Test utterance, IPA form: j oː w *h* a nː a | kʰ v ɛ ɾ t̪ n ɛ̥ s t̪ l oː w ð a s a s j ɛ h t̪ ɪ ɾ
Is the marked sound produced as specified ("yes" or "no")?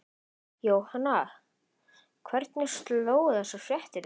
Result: yes